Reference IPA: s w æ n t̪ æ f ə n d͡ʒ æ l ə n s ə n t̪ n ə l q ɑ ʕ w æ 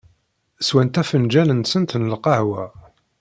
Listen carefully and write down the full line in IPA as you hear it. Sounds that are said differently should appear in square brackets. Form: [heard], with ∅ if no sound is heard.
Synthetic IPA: s w æ n t̪ æ f ə n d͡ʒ æ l ə n s ə n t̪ n ə l q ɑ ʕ w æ